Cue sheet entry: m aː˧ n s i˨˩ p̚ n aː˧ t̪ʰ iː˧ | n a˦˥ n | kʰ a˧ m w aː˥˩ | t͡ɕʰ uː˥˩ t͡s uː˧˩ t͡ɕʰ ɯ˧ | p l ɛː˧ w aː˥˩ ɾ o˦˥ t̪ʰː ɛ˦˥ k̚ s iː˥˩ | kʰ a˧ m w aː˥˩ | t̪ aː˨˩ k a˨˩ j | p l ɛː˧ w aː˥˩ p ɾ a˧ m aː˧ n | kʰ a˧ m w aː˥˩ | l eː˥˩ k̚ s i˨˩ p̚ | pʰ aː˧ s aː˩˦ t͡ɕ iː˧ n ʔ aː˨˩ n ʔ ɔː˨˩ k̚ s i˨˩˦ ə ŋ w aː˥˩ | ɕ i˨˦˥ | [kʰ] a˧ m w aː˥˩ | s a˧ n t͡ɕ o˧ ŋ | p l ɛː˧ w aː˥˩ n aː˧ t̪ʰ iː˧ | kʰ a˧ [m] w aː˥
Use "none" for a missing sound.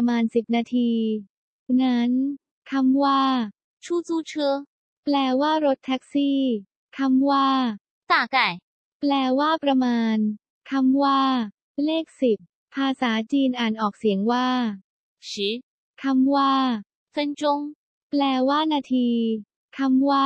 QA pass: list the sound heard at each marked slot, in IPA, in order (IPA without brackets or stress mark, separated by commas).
kʰ, m